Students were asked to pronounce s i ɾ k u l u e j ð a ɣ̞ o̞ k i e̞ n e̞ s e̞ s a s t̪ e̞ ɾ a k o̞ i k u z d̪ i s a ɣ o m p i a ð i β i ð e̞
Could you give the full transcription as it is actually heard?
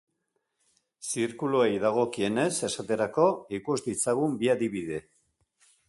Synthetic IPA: s i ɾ k u l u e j ð a ɣ̞ o̞ k i e̞ n e̞ s e̞ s a t̪ e̞ ɾ a k o̞ i k u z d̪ i t͡s a ɣ u m b i a ð i β i ð e̞